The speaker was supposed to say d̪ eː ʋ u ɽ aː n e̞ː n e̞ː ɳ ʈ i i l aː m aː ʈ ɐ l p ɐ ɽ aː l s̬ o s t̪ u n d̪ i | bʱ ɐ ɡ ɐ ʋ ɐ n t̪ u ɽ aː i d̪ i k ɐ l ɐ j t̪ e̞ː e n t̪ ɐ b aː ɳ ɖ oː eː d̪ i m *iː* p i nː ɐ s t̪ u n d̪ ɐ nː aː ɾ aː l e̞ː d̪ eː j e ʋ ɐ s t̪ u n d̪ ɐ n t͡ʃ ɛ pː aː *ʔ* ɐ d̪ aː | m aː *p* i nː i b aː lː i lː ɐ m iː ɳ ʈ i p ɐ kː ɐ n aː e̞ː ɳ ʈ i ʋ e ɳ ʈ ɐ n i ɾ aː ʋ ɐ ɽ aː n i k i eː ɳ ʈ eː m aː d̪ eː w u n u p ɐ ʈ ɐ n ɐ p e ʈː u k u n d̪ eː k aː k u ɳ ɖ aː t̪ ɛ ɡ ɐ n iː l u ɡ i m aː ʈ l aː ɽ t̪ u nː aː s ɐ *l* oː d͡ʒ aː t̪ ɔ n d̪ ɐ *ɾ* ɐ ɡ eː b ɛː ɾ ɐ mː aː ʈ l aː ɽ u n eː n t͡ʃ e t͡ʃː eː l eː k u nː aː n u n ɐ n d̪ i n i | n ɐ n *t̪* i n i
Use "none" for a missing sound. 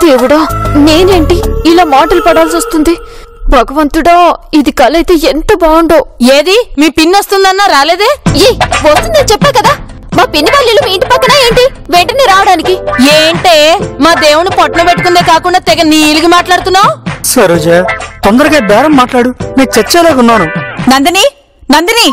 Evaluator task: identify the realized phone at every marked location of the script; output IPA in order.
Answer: iː, k, p, ɾ, ɾ, d̪

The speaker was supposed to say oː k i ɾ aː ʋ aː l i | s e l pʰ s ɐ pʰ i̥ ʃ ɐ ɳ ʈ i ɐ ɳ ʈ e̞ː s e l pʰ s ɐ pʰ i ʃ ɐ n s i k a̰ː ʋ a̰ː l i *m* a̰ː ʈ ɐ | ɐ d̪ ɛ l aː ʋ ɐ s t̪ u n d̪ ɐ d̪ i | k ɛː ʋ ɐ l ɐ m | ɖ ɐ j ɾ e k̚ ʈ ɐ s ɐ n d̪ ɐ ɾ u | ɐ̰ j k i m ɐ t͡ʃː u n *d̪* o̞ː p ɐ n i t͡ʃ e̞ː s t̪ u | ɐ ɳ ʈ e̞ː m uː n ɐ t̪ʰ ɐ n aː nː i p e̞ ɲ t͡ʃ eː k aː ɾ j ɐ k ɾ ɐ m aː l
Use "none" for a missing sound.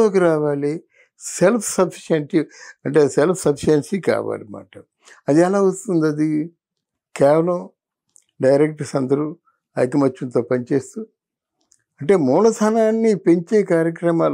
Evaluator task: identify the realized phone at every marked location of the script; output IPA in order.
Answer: m, t̪

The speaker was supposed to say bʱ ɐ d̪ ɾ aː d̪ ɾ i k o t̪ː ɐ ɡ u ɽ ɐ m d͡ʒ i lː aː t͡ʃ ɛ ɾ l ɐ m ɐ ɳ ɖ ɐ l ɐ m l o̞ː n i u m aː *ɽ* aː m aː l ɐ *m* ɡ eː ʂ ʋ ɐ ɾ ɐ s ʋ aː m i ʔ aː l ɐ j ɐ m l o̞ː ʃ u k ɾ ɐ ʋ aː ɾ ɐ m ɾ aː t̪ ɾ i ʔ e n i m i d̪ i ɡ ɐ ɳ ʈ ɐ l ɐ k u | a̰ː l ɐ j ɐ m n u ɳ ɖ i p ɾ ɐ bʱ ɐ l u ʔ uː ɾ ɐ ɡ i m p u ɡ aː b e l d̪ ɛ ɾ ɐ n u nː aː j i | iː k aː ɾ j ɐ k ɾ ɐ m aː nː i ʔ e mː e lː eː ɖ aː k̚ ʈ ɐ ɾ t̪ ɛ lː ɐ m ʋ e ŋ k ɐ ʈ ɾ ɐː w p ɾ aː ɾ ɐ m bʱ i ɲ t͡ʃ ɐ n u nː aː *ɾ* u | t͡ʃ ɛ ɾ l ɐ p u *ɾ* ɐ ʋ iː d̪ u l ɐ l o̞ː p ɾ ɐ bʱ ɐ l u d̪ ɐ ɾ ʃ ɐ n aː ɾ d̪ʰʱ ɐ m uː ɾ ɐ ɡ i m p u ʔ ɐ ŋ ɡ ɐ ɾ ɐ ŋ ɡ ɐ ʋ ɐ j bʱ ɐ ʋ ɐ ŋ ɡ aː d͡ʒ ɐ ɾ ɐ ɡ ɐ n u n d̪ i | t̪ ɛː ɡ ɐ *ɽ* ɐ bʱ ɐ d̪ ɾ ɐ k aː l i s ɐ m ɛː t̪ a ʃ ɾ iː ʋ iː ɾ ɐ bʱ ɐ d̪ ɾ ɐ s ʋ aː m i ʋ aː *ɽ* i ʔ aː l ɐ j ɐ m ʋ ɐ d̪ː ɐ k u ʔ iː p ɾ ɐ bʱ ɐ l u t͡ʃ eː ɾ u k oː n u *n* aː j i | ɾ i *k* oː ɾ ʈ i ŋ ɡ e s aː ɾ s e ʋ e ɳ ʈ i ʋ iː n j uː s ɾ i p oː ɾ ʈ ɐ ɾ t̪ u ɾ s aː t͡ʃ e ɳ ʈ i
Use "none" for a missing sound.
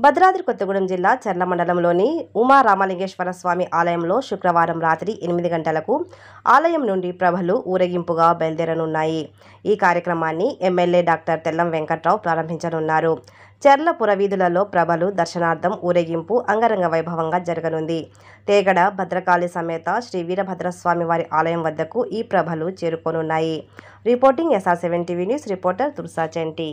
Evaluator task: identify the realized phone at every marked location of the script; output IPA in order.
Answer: ɾ, ŋ, ɾ, ɾ, ɽ, ɾ, nː, p

